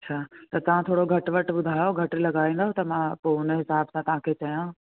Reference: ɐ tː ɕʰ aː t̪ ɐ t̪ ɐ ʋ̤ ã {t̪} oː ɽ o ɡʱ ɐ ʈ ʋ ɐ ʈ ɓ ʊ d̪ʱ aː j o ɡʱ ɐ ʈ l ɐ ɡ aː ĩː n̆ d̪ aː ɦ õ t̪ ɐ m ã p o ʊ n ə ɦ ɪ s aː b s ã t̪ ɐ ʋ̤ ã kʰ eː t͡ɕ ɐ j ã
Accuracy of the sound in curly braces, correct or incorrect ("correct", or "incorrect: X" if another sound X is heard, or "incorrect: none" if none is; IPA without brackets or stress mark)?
incorrect: t̪ʰ